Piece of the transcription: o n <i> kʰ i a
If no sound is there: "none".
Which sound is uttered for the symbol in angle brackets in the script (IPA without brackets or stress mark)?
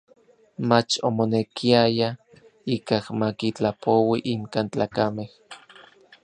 e